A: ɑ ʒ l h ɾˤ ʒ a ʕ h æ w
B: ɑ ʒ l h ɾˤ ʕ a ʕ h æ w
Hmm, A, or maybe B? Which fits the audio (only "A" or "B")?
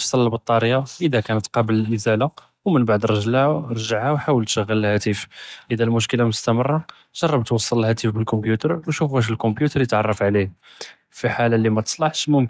A